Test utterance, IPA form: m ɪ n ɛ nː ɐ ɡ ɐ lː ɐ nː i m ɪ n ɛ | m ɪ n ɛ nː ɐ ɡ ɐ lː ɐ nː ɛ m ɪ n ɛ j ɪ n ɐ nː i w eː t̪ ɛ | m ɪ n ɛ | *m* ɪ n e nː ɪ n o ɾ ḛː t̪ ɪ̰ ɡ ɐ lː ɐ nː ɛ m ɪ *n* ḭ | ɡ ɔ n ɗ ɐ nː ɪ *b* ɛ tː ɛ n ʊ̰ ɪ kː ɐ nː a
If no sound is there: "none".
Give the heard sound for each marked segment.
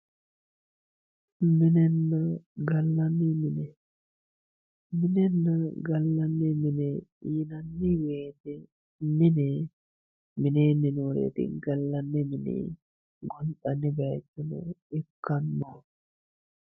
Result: m, n, b

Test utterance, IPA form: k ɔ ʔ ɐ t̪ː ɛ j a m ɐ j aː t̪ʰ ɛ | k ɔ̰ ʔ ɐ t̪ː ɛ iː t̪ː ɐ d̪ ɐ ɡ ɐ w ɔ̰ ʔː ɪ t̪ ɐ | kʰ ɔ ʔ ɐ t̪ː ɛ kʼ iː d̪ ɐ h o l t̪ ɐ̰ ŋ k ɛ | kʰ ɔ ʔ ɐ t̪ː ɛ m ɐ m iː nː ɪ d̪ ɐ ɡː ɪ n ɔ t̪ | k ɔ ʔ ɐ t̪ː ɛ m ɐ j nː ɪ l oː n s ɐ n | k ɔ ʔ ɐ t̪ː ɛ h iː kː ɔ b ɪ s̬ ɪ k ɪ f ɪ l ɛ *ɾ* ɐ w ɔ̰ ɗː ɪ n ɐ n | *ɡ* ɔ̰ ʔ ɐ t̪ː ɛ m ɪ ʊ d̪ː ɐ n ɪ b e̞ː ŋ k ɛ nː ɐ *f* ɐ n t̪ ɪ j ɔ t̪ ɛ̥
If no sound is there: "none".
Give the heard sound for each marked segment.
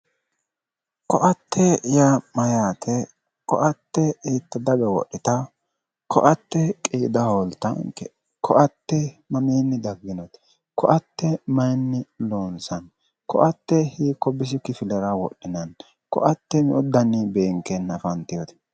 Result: ɾ, k, f

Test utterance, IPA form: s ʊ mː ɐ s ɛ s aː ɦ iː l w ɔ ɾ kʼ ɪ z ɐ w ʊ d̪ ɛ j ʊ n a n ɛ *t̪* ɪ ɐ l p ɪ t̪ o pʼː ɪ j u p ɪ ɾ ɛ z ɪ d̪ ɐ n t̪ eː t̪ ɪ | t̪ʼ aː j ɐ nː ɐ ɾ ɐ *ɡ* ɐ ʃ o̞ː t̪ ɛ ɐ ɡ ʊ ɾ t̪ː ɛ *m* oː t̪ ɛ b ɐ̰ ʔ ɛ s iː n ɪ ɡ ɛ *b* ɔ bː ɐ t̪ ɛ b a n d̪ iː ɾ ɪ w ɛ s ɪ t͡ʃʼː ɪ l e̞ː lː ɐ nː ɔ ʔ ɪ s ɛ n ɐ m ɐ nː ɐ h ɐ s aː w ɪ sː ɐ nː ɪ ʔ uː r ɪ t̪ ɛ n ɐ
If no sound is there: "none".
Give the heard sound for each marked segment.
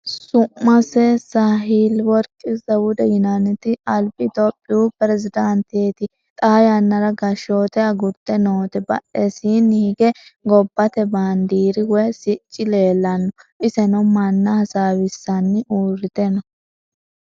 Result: t̪, ɡ, n, ɡ

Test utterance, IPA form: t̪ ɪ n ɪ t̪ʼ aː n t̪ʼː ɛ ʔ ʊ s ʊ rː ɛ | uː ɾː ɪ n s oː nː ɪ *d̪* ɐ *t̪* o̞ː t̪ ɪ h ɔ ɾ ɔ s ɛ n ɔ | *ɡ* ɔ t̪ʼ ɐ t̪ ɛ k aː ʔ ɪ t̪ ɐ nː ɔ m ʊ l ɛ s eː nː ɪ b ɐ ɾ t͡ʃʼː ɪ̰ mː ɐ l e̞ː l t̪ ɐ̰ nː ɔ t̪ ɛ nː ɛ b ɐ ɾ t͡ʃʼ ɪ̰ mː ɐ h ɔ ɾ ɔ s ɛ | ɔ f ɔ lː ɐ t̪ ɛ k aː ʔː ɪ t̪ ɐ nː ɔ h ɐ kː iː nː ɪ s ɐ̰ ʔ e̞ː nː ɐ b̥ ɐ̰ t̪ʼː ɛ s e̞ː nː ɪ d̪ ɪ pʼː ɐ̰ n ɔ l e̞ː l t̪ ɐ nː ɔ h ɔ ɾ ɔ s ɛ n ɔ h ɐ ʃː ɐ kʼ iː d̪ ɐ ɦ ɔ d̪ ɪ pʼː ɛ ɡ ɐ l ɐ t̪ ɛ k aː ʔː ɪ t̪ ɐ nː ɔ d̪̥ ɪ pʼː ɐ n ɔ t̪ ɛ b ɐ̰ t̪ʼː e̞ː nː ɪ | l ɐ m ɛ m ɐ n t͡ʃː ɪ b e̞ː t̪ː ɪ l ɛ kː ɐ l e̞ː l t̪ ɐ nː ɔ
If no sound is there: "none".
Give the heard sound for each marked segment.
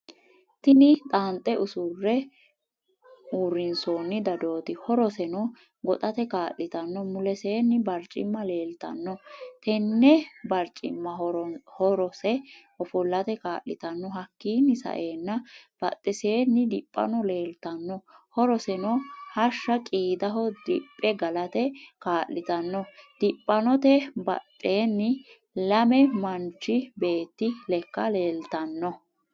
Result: d̪, d̪, ɡ

